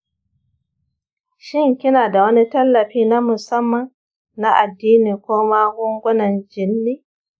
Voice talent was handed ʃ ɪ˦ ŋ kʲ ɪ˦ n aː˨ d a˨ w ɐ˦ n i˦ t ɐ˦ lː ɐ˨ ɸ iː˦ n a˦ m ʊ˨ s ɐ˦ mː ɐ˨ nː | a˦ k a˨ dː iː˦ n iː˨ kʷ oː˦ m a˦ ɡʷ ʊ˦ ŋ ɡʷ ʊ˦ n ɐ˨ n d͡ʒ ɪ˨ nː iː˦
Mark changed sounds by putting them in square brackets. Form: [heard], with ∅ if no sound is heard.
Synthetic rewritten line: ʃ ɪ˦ ŋ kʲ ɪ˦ n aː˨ d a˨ w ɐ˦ n i˦ t ɐ˦ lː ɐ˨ ɸ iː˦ n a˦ m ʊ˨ s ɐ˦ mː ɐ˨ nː | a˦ [ʔ] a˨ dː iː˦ n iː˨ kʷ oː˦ m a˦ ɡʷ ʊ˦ ŋ ɡʷ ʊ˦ n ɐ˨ n d͡ʒ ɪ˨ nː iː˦